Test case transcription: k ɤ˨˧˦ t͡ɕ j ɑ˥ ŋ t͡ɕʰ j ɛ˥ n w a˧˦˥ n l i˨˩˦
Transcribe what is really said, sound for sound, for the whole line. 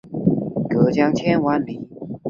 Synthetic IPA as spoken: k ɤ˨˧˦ t͡ɕ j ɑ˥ ŋ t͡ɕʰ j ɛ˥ n w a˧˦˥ n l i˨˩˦

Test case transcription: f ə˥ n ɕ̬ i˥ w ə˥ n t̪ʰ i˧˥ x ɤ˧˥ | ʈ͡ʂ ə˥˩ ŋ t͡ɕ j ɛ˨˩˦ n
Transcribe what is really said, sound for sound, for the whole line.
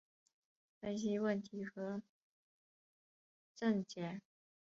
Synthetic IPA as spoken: f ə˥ n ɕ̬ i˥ w ə˥˩ n t̪ʰ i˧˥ x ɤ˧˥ | ʈ͡ʂ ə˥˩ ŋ t͡ɕ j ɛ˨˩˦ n

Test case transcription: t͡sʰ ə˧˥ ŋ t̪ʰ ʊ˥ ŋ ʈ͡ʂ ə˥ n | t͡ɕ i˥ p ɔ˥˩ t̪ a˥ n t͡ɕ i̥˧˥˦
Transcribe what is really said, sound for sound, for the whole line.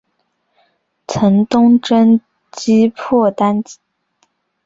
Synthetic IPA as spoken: t͡sʰ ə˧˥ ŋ t̪ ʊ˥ ŋ ʈ͡ʂ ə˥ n | t͡ɕ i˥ pʰ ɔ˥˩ t̪ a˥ n t͡ɕ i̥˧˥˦

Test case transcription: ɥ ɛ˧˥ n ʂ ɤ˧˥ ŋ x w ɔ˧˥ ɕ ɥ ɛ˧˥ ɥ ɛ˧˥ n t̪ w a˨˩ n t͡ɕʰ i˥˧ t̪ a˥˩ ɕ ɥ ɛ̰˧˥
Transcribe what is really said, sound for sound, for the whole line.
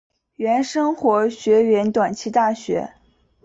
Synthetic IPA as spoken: ɥ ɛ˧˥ n ʂ ɤ˥ ŋ x w ɔ˧˥ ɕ ɥ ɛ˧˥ ɥ ɛ˧˥ n t̪ w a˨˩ n t͡ɕʰ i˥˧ t̪ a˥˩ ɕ ɥ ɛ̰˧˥

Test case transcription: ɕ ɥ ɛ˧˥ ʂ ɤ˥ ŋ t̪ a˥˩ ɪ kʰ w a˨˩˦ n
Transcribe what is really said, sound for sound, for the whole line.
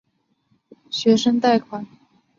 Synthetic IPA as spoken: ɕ ɥ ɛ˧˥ ʂ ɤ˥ ŋ t̪ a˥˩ ɪ kʰ w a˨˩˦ n

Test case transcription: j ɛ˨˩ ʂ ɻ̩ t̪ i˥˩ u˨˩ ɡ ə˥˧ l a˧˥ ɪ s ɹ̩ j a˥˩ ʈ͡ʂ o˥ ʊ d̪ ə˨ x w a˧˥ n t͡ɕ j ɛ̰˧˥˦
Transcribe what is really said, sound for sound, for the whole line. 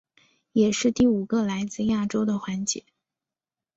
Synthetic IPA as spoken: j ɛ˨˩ ʂ ɻ̩ t̪ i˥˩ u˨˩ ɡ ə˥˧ l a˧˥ ɪ t͡s ɹ̩ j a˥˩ ʈ͡ʂ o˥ ʊ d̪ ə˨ x w a˧˥ n t͡ɕ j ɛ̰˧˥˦

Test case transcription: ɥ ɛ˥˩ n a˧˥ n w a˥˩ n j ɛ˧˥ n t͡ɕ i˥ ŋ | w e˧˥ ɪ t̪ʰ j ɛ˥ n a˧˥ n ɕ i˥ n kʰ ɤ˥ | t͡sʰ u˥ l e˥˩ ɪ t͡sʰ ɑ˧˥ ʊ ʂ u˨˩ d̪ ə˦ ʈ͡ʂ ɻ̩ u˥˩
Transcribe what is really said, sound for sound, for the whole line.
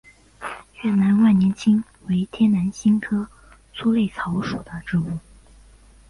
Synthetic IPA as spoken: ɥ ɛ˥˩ n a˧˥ n w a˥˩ n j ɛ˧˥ n t͡ɕʰ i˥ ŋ | w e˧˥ ɪ t̪ʰ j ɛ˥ n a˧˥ n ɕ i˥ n kʰ ɤ˥ | t͡sʰ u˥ l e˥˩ ɪ t͡sʰ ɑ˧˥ ʊ ʂ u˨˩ d̪ ə˦ ʈ͡ʂ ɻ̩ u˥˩

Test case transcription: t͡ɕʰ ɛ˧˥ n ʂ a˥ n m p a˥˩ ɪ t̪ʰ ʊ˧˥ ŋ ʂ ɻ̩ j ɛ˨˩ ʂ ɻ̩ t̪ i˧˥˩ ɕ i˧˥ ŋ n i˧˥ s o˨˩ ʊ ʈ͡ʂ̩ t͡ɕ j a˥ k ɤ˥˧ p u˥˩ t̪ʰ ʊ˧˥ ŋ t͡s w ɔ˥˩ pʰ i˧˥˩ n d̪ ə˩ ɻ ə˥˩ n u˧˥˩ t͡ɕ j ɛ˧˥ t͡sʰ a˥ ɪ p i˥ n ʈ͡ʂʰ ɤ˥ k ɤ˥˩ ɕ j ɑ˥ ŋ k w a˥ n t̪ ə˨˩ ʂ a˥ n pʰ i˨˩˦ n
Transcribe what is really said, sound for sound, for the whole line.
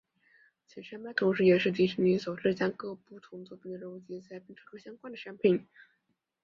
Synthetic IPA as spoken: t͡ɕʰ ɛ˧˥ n ʂ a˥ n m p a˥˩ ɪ t̪ʰ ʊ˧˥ ŋ ʂ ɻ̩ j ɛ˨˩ ʂ ɻ̩ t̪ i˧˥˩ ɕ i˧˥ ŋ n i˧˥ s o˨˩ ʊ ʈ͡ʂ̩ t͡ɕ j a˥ k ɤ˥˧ p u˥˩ t̪ʰ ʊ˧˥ ŋ t͡s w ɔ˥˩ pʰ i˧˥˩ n d̪ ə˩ ɻ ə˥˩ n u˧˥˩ t͡ɕ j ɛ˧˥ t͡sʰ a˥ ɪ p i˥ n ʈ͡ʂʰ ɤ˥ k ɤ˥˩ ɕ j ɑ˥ ŋ k w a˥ n d̪ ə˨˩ ʂ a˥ n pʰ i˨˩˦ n

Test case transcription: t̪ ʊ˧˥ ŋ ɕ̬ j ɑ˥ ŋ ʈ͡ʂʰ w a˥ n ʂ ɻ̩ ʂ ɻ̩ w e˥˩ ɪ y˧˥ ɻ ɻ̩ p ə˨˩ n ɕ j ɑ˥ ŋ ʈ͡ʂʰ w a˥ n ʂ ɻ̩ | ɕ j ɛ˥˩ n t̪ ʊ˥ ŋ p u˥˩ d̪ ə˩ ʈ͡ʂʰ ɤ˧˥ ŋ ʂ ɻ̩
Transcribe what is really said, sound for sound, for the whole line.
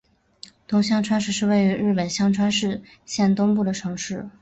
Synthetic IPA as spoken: t̪ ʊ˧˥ ŋ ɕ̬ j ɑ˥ ŋ ʈ͡ʂʰ w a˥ n ʂ ɻ̩ ʂ ɻ̩ w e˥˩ ɪ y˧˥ ɻ ɻ̩ p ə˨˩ n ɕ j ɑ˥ ŋ ʈ͡ʂʰ w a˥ n ʂ ɻ̩ | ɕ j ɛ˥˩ n t̪ ʊ˥ ŋ p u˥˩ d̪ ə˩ ʈ͡ʂʰ ɤ˧˥ ŋ ʂ ɻ̩

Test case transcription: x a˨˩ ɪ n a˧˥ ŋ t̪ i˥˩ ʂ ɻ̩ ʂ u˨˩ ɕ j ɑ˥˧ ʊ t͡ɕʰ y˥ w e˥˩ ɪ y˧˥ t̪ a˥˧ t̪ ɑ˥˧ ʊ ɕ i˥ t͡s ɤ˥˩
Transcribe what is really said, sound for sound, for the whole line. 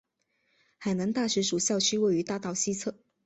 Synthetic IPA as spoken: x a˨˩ ɪ n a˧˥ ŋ t̪ a˥˩ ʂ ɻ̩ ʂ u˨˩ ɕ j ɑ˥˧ ʊ t͡ɕʰ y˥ w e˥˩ ɪ y˧˥ t̪ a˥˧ t̪ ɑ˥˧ ʊ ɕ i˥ t͡sʰ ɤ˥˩

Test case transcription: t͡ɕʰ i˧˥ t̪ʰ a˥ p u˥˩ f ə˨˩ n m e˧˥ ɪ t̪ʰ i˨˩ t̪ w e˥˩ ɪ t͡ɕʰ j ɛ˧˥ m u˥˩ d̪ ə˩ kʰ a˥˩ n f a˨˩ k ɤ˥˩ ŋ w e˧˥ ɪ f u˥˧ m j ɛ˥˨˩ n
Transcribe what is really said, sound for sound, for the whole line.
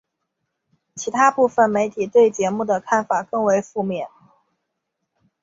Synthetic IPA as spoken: t͡ɕʰ i˧˥ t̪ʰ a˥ p u˥˩ f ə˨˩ n m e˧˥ ɪ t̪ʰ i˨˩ t̪ w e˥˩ ɪ t͡ɕ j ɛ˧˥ m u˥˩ d̪ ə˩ kʰ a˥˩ n f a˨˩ k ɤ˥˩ ŋ w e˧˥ ɪ f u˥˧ m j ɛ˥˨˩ n

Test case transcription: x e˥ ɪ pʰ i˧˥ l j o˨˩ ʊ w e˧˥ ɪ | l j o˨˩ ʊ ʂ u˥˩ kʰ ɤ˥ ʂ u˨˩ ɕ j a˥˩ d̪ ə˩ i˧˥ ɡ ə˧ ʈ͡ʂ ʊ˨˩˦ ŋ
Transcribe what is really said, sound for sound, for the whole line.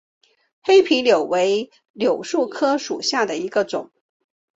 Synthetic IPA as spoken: x e˥ ɪ pʰ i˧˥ l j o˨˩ ʊ w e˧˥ ɪ | l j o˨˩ ʊ ʂ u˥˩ kʰ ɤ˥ ʂ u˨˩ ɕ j a˥˩ d̪ ə˩ i˧˥ ɡ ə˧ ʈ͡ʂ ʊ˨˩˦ ŋ

